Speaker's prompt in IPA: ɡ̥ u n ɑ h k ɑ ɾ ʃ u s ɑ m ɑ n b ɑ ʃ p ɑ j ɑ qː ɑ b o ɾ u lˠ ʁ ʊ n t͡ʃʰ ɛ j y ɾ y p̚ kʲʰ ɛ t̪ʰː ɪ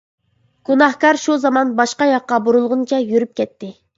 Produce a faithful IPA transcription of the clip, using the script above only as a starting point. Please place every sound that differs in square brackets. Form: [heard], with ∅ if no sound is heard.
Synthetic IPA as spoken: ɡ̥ u n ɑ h k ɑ ɾ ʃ u [z] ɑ m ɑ n b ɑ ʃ [q] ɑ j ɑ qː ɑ b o ɾ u lˠ ʁ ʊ n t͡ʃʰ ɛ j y ɾ y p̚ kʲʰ ɛ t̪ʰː ɪ